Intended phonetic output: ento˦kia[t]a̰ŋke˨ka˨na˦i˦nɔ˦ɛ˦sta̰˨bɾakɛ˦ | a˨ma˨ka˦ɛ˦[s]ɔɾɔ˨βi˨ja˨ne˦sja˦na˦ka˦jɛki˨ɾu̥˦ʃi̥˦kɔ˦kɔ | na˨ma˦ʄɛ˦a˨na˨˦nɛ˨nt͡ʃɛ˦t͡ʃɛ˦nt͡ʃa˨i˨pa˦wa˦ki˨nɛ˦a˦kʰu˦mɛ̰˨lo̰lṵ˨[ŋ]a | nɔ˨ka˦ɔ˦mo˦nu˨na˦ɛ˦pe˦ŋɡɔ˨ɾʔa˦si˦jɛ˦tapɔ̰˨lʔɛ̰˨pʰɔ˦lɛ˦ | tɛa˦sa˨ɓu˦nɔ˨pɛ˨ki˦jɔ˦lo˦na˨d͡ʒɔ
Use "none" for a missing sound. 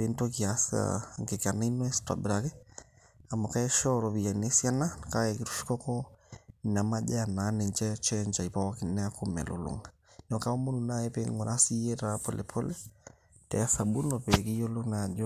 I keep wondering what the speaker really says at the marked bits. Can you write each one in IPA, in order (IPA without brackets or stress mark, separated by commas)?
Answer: s, ʃ, ŋ